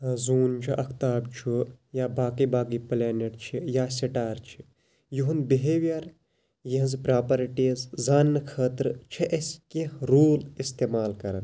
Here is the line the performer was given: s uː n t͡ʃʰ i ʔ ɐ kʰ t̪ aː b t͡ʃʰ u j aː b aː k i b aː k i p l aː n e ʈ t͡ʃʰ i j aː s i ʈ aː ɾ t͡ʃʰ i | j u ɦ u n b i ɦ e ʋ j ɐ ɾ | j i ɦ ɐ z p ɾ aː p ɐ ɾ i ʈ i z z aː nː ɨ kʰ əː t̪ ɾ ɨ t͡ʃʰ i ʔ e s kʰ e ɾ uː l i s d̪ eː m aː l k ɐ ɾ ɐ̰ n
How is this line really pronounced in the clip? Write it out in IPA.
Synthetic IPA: z uː n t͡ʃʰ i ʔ ɐ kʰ t̪ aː b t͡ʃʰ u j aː b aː k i b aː k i p l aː n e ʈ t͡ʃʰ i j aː s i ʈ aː ɾ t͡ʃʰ i | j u ɦ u n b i ɦ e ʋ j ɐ ɾ | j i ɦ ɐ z p ɾ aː p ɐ ɾ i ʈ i z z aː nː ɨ kʰ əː t̪ ɾ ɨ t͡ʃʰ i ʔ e s k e ɾ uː l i s t̪ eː m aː l k ɐ ɾ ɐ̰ n